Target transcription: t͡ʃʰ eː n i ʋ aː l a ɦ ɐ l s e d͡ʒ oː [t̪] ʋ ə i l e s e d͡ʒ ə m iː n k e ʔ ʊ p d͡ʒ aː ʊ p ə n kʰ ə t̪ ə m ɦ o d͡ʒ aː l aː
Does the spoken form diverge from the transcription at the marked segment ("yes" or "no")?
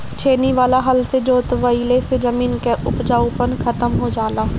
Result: no